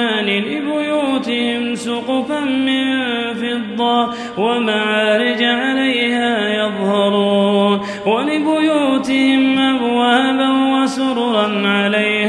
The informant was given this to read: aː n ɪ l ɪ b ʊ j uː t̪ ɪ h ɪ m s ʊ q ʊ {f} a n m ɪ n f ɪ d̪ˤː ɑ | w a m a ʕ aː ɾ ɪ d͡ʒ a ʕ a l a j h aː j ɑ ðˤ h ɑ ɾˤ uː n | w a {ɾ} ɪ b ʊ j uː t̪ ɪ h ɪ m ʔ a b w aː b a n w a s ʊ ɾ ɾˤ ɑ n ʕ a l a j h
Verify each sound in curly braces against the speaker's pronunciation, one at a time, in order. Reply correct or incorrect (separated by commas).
correct, incorrect